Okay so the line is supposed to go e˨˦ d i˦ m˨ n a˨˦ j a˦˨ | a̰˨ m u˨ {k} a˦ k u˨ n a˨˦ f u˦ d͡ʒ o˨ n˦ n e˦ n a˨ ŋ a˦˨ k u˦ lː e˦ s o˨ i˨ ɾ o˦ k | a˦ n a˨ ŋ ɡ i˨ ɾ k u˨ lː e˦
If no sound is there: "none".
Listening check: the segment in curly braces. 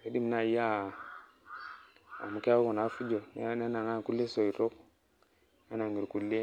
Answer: k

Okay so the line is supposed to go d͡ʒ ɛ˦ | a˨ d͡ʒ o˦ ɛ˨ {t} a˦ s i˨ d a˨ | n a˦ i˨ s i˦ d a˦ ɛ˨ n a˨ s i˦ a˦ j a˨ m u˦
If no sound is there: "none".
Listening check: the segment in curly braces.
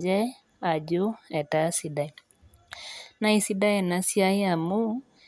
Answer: t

